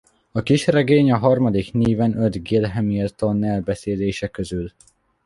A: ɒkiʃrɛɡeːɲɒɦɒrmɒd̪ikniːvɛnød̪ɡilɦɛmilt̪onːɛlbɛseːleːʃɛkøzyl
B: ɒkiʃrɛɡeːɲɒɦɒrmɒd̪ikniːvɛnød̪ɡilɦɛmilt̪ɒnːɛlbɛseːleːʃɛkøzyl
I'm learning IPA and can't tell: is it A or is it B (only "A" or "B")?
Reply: A